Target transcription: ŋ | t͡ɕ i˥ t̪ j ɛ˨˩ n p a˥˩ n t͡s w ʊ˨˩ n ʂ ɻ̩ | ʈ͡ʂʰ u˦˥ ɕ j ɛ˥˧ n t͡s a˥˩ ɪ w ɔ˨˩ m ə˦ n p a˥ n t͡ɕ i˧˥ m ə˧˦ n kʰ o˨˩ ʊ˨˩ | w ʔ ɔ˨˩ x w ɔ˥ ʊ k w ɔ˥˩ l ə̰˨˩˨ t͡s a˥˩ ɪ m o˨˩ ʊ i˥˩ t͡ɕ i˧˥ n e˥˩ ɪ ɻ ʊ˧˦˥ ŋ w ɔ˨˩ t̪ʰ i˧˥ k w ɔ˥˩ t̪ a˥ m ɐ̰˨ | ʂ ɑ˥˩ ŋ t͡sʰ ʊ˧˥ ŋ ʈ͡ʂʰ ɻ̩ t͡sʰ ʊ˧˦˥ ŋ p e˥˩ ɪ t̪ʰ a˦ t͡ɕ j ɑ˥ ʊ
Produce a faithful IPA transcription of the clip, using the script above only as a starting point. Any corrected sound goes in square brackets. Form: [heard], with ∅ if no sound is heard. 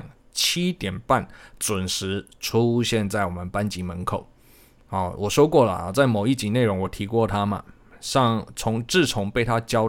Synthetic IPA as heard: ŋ | [t͡ɕʰ] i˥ t̪ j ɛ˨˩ n p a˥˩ n t͡s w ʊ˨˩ n ʂ ɻ̩ | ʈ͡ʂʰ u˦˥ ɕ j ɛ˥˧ n t͡s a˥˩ ɪ w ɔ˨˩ m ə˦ n p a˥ n t͡ɕ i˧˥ m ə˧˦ n kʰ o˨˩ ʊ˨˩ | w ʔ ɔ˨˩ [ʂ] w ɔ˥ ʊ k w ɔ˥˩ l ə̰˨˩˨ t͡s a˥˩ ɪ m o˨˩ ʊ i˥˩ t͡ɕ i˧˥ n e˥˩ ɪ ɻ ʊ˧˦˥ ŋ w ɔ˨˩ t̪ʰ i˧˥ k w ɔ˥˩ [t̪ʰ] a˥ m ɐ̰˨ | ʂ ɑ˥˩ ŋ t͡sʰ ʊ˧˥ ŋ [ʈ͡ʂ] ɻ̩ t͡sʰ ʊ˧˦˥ ŋ p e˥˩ ɪ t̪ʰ a˦ t͡ɕ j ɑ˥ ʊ